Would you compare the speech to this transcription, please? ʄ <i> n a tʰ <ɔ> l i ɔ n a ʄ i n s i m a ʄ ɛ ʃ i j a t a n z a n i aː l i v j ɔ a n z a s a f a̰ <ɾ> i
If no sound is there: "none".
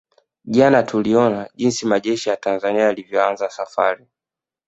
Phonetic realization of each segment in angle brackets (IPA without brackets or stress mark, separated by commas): a, u, ɾ